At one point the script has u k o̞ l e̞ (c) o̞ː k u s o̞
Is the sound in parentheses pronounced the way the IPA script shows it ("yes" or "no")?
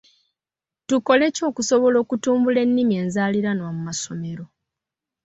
yes